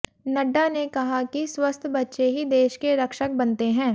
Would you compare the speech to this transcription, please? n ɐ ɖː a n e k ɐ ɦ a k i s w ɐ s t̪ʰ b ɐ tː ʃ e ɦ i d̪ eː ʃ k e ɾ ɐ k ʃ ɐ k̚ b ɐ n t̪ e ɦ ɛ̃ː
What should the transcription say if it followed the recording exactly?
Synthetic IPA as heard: n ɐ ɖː a n e k ɐ ɦ a k i s w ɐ s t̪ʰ b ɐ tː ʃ e ɦ i d̪ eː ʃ k e ɾ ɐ k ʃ ə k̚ b ɐ n t̪ e ɦ ɛ̃ː